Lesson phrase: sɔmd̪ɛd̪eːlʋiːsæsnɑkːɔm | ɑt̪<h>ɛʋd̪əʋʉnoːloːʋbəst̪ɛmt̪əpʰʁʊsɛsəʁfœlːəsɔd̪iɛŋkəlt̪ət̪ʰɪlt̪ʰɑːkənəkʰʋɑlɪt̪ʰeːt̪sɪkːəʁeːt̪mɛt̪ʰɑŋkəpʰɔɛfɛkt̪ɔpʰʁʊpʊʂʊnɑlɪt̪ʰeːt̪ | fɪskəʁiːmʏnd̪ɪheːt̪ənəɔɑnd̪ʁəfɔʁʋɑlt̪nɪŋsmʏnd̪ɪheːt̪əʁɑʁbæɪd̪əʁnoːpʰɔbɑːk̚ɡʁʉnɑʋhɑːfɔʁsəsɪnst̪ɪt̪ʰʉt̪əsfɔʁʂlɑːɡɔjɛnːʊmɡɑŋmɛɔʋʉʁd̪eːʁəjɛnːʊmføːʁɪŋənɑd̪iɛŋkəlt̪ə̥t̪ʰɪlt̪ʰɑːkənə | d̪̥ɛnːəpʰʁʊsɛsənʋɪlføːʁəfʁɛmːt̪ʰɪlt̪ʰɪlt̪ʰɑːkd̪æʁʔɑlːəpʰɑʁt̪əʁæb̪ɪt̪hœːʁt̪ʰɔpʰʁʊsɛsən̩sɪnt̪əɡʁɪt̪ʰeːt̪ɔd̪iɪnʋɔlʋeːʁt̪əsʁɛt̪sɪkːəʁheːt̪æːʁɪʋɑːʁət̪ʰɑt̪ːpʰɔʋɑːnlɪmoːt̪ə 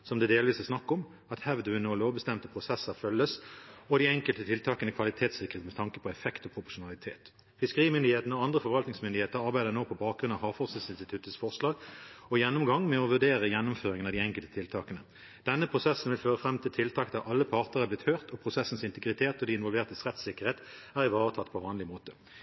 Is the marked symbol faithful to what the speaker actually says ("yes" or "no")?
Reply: yes